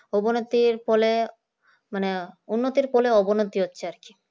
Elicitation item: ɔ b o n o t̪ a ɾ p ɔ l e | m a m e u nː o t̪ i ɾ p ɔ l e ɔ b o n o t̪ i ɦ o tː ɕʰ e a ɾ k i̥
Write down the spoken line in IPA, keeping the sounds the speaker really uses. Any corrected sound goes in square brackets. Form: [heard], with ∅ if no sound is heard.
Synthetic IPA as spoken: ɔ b o n o t̪ [i] ɾ p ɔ l e | m a [n] e u nː o t̪ i ɾ p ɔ l e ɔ b o n o t̪ i ɦ o tː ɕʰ e a ɾ k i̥